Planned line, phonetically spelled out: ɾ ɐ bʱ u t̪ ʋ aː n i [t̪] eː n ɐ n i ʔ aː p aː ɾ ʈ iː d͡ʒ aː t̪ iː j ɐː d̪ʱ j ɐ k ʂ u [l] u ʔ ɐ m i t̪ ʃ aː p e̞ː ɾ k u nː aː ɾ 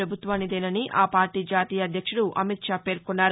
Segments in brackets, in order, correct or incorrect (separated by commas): incorrect, incorrect